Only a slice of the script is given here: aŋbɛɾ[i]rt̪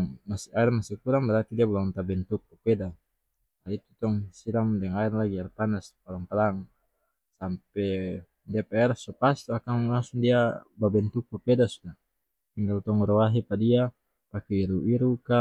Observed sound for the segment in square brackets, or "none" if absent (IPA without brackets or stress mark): a